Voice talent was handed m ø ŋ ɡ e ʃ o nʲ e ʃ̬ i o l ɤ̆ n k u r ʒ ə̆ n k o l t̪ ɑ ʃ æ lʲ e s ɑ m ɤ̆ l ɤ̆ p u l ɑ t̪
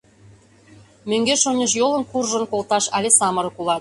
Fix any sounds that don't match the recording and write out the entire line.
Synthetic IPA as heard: m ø ŋ ɡ e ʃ o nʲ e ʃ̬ j o l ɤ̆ n k u r ʒ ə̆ n k o l t̪ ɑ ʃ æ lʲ e s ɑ m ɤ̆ ɾ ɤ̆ k u l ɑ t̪